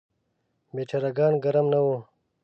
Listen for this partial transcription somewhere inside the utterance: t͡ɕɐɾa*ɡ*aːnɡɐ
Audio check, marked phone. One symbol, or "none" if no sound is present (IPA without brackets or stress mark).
ɡ